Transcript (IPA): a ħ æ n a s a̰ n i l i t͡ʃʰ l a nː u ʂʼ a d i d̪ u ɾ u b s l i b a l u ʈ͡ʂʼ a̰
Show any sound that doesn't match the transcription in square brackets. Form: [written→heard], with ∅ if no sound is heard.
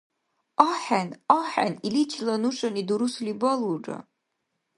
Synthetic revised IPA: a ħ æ n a [s→ħ] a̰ n i l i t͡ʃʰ l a [nː→n] u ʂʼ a [d→n] i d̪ u ɾ u [b→∅] s l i b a l u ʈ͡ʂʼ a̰